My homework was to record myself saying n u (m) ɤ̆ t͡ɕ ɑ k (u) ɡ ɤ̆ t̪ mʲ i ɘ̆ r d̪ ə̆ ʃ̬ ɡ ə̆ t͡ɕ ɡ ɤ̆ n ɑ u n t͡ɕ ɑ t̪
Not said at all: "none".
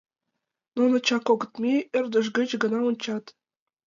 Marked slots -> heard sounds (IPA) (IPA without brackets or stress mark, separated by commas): n, o